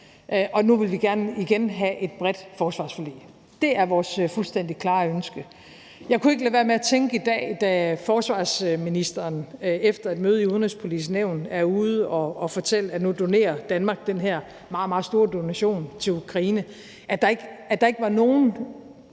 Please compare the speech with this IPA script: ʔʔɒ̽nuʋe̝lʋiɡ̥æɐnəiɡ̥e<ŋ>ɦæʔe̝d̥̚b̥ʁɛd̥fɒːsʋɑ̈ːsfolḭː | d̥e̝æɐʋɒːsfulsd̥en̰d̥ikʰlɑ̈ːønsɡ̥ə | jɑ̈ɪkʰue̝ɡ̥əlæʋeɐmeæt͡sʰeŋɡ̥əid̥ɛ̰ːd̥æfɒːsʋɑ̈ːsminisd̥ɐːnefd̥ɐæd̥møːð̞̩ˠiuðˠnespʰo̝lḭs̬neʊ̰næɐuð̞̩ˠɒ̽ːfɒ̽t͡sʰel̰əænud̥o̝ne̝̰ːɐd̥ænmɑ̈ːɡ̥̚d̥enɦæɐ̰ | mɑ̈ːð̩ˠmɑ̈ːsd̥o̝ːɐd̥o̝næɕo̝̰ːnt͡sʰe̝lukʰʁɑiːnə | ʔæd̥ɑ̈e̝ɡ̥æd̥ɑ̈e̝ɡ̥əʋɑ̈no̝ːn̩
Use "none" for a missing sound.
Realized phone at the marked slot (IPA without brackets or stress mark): n